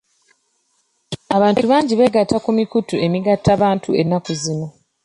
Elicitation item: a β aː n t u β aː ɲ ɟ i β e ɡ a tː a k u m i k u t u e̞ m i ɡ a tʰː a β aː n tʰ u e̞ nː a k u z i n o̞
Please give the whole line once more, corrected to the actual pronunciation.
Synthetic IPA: a β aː n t u β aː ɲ ɟ i β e ɡ a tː a k u m i k u t u e̞ m i ɡ a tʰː a β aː n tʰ u e̞ nː a k u z i n o̞